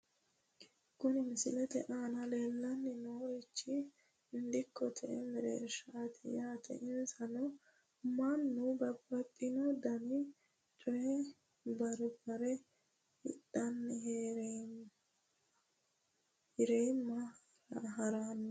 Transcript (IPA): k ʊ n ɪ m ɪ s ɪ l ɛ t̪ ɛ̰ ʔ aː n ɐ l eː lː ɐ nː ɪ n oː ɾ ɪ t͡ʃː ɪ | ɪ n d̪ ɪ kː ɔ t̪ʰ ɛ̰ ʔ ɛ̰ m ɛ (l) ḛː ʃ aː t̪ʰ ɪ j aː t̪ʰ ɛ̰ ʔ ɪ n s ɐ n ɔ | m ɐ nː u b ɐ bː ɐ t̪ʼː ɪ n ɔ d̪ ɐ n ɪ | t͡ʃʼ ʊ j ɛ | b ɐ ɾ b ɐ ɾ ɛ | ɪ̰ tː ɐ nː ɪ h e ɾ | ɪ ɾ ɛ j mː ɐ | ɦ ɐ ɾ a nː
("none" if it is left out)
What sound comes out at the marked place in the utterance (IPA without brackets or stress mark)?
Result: ɾ